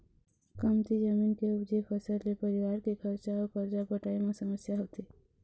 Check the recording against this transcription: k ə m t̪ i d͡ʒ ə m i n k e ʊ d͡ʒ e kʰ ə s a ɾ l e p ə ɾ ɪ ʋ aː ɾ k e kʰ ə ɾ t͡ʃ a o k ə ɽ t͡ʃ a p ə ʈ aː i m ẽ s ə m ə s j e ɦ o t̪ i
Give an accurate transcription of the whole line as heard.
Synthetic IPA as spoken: k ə m t̪ i d͡ʒ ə m i n k e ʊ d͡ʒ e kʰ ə s ə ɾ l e p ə ɾ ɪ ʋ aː ɾ k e kʰ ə ɾ t͡ʃ a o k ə ɾ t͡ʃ a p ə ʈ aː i m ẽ s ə m ə s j a ɦ o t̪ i